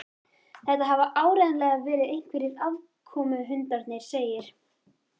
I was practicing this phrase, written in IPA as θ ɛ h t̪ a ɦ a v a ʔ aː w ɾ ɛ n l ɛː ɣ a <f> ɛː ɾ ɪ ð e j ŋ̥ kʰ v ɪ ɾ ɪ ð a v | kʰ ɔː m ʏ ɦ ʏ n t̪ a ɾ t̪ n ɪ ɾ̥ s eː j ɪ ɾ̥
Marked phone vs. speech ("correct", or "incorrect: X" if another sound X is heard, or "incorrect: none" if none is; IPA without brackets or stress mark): incorrect: v